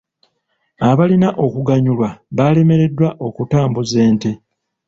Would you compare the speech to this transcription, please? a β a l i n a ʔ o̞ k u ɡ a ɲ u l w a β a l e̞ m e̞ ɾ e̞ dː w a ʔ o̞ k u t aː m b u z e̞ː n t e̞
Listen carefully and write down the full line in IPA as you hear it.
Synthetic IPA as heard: a β a l i n a ʔ o̞ k u ɡ a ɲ u l w a β a l e̞ m e̞ ɾ e̞ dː w a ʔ o̞ k u t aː m b u z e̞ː n t e̞